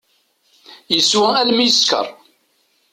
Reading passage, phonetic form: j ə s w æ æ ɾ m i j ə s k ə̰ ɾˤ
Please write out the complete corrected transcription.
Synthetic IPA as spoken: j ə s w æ æ l m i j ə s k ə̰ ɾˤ